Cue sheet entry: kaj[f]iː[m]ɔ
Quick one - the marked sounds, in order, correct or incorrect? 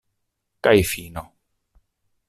correct, incorrect

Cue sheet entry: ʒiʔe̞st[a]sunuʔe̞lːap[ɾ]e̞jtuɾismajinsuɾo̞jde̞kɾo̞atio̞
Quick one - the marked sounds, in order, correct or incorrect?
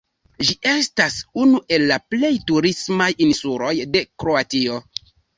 correct, incorrect

